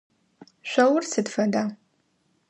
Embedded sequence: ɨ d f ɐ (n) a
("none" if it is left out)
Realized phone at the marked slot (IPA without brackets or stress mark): d